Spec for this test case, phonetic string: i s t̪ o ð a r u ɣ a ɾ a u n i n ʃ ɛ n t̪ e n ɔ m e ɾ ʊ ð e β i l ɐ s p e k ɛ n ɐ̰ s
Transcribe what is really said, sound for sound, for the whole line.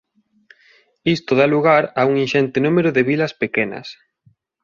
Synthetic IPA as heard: i s t̪ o ð a l u ɣ a ɾ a u ŋ i n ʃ ɛ n t̪ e n u m e ɾ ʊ ð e β i l ɐ s p e k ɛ n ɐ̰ s